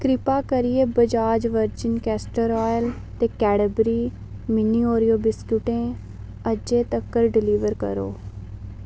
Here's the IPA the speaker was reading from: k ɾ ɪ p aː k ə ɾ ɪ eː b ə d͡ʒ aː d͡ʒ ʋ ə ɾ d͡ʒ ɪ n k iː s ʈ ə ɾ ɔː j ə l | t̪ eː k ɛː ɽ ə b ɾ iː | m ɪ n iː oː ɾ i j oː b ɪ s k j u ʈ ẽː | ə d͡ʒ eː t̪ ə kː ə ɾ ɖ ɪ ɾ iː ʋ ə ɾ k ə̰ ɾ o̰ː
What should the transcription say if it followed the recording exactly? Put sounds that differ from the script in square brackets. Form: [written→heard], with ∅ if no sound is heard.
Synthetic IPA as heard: k ɾ ɪ p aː k ə ɾ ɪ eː b ə d͡ʒ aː d͡ʒ ʋ ə ɾ d͡ʒ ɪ n k [iː→ɛː] s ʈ ə ɾ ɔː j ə l | t̪ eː k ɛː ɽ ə b ɾ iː | m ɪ n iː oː ɾ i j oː b ɪ s k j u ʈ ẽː | ə d͡ʒ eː t̪ ə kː ə ɾ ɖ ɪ [ɾ→l] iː ʋ ə ɾ k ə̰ ɾ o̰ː

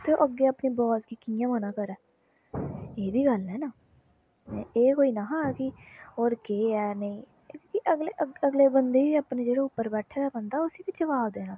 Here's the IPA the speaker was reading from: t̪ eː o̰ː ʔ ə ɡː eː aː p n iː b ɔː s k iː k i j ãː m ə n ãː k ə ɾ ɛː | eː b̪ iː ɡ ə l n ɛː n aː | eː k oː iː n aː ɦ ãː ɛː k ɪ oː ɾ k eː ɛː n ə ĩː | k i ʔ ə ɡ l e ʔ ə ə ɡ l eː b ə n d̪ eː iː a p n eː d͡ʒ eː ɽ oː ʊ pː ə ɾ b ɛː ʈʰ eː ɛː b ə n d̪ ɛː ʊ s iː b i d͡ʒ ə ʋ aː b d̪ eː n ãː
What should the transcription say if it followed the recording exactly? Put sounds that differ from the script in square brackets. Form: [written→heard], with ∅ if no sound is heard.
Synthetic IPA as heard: t̪ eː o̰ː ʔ ə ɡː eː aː p n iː b ɔː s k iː k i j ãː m ə n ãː k ə ɾ ɛː | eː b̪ iː ɡ ə l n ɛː n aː | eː k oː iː n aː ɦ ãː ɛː k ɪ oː ɾ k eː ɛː n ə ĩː | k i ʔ ə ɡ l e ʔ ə ə ɡ l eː b ə n d̪ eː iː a p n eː d͡ʒ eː ɽ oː ʊ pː ə ɾ b ɛː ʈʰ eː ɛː b ə n d̪ [ɛː→aː] ʊ s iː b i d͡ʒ ə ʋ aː b d̪ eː n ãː

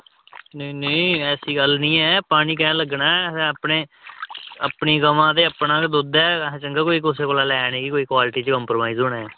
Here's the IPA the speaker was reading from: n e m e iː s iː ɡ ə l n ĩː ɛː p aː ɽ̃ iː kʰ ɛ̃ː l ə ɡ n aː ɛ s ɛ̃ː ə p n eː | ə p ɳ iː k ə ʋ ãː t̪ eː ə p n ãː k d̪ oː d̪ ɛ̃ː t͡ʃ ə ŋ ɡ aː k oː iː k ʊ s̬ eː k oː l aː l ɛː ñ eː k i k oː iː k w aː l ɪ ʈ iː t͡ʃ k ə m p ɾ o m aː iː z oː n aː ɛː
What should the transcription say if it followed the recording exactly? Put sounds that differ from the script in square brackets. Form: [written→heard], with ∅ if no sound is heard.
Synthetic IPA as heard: n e [m→n] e [iː→ɛː] s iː ɡ ə l n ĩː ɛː p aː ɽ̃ iː [kʰ→k] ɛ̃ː l ə ɡ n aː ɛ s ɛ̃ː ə p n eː | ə p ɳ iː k ə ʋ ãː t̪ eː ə p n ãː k d̪ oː d̪ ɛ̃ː t͡ʃ ə ŋ ɡ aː k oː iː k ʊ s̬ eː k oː l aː l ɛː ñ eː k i k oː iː k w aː l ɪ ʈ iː t͡ʃ k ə m p ɾ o m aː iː z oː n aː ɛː

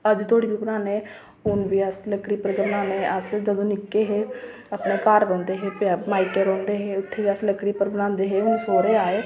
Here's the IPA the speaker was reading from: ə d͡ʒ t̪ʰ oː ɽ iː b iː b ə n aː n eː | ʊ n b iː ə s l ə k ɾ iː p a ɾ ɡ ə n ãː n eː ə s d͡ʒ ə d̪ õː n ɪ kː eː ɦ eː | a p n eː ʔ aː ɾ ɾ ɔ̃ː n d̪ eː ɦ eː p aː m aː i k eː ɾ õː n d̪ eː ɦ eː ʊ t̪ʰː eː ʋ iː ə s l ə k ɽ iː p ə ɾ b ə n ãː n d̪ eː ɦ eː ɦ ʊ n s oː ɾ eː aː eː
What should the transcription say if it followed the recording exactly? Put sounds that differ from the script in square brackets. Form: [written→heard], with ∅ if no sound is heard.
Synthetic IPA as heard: ə d͡ʒ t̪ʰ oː ɽ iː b iː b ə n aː n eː | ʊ n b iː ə s l ə k [ɾ→ɽ] iː p [a→ə] ɾ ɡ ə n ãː n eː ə s d͡ʒ ə d̪ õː n ɪ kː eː ɦ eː | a p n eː [ʔ→k] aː ɾ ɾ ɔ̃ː n d̪ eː ɦ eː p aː m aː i k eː ɾ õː n d̪ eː ɦ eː ʊ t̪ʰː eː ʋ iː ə s l ə k ɽ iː p ə ɾ b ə n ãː n d̪ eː ɦ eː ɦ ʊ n s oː ɾ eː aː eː

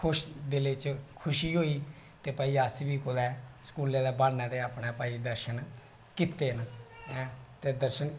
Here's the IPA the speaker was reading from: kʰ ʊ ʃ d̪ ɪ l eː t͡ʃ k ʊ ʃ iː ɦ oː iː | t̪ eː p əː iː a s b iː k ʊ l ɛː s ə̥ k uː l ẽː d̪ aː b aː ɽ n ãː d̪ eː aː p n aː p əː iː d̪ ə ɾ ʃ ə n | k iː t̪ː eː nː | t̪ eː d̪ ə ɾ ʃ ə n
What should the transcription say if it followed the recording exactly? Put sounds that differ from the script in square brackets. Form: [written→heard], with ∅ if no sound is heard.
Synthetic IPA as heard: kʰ ʊ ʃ d̪ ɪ l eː t͡ʃ [k→kʰ] ʊ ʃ iː ɦ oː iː | t̪ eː p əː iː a s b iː k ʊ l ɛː s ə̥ k uː l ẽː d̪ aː b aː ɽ n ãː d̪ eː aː p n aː p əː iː d̪ ə ɾ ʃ ə n | k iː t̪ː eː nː | t̪ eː d̪ ə ɾ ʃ ə n

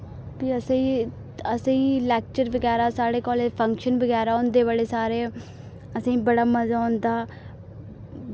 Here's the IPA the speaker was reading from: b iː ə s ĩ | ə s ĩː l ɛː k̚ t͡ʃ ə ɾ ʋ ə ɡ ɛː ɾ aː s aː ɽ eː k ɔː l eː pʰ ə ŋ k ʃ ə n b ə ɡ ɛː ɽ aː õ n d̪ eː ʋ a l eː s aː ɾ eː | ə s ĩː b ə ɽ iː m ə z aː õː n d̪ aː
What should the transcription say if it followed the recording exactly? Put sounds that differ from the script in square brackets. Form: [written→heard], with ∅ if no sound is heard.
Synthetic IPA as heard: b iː ə s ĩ | ə s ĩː l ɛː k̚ t͡ʃ ə ɾ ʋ ə ɡ ɛː ɾ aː s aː ɽ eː k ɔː l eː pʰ ə ŋ k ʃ ə n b ə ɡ ɛː [ɽ→ɾ] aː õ n d̪ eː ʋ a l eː s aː ɾ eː | ə s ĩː b ə ɽ [iː→aː] m ə z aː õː n d̪ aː

